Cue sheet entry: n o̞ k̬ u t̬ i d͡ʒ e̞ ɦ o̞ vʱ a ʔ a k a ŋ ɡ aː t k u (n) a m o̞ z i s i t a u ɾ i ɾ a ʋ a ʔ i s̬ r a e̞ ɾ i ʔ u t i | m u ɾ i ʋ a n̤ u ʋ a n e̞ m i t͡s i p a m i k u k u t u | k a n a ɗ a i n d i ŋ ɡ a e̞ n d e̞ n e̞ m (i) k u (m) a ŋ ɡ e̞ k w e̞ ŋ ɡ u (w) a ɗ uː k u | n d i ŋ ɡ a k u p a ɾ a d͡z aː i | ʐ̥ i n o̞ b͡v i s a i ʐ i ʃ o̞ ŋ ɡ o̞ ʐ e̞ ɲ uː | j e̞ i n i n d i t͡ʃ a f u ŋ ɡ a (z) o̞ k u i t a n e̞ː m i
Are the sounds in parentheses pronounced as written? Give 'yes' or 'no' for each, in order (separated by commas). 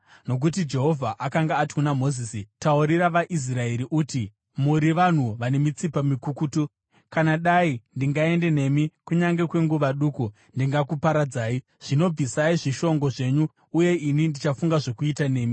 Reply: yes, yes, no, no, no